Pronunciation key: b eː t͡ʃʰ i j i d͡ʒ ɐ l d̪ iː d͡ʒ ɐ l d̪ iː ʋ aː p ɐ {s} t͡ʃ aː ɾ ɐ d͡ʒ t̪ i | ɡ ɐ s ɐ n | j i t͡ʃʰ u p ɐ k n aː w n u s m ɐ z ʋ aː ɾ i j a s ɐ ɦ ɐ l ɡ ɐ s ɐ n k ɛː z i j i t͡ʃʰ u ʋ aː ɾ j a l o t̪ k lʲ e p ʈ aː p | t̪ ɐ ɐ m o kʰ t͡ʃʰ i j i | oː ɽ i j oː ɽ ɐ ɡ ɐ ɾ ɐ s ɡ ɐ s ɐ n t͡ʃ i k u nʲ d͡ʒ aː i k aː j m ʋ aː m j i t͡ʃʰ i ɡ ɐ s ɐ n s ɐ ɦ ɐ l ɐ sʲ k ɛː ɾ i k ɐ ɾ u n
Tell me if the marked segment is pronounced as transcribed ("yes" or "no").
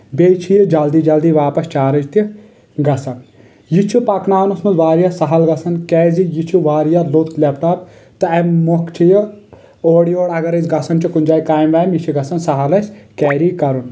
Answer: yes